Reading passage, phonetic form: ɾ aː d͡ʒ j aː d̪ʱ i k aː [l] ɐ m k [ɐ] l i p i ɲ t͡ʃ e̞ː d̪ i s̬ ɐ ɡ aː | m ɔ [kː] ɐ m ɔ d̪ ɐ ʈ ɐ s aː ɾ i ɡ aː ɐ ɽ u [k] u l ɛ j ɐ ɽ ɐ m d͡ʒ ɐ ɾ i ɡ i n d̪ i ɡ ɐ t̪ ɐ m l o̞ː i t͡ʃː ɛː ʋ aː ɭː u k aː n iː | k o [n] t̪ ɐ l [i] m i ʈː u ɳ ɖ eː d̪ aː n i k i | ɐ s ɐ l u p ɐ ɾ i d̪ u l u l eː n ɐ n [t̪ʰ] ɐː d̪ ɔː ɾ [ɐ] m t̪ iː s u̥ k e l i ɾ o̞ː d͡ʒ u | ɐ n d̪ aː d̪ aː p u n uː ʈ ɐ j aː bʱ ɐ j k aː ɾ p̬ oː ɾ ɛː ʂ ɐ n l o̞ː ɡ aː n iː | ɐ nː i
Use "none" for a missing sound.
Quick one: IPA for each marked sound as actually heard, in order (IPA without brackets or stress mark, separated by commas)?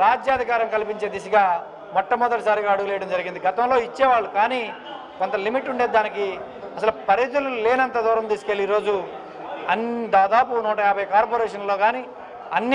ɾ, ɐ, ʈː, ɡ, n, i, t̪, ɐ